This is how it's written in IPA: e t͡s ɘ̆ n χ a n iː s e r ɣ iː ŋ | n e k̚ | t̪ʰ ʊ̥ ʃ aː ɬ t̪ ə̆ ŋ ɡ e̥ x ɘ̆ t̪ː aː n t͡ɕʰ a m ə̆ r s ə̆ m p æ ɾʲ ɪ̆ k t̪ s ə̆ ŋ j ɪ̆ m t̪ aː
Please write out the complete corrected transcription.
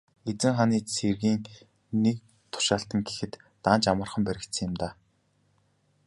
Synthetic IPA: e t͡s ɘ̆ ŋ χ a n iː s e r ɣ iː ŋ | n e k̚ | t̪ʰ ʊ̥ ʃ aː ɬ t̪ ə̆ ŋ ɡ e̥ x ɘ̆ t̪ː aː n t͡ɕ a m ə̆ r χ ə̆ m p æ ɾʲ ɪ̆ k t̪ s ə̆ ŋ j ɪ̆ m t̪ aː